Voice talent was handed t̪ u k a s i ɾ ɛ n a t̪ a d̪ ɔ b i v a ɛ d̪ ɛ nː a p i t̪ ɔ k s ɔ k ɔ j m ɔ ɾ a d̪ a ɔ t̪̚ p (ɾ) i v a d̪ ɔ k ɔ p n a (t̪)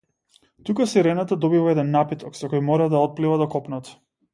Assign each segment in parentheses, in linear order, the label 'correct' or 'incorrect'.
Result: incorrect: l, correct

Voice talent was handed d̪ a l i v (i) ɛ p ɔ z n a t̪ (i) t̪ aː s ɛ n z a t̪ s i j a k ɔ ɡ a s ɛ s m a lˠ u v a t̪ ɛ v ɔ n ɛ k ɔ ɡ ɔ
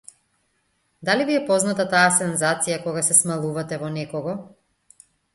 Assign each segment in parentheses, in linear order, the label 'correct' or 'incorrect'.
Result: correct, incorrect: a

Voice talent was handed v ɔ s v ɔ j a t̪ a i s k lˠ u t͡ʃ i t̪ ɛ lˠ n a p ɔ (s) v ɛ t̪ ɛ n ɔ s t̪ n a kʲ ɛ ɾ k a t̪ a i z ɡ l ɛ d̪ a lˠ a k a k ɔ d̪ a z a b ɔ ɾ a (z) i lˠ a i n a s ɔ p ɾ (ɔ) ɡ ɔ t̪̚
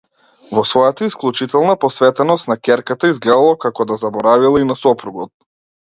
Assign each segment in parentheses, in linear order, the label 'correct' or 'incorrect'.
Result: correct, incorrect: v, incorrect: u

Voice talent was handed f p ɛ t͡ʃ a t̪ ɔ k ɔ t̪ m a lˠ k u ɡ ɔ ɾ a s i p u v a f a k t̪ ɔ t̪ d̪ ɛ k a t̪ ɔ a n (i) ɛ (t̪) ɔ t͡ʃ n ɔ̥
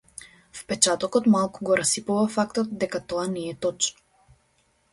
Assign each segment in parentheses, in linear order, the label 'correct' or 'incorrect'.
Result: incorrect: ɛ, correct

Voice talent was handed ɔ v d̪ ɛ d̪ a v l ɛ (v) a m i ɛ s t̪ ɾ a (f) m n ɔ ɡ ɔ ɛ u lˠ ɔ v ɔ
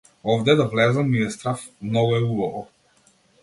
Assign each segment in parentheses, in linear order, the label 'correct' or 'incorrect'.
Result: incorrect: z, correct

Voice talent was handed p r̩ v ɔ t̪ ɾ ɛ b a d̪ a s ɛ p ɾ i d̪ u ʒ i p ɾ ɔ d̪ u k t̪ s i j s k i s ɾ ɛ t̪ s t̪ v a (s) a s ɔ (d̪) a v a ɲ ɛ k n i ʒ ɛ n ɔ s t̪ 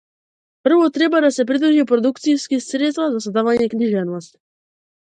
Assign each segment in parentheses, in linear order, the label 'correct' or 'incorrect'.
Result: incorrect: z, correct

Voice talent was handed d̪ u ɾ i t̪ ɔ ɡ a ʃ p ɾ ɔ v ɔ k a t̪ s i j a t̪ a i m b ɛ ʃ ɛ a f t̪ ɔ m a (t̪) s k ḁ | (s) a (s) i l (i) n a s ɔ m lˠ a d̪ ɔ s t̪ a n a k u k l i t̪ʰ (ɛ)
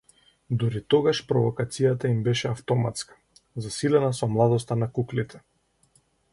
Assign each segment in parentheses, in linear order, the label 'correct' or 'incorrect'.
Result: correct, incorrect: z, correct, incorrect: ɛ, correct

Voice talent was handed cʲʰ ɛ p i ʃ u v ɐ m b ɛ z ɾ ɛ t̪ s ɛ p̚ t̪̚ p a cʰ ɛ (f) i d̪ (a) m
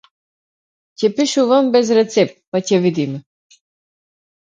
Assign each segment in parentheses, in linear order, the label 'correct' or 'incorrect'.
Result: incorrect: v, incorrect: i

